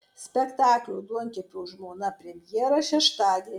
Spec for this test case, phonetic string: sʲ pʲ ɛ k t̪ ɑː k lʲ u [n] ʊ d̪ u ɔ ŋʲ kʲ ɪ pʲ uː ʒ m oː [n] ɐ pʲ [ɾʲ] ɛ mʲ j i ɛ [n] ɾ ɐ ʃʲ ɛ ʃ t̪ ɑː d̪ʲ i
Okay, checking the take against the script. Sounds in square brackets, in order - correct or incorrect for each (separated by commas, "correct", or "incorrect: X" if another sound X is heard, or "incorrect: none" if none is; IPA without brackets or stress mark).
incorrect: none, correct, correct, incorrect: none